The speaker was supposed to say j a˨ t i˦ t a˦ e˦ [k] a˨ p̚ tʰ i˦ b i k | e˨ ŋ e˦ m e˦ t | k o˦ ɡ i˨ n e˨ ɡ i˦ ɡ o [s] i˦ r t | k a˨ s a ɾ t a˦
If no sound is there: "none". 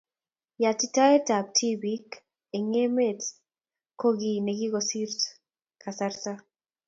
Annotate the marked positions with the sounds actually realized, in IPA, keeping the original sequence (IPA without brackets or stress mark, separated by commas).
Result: t, s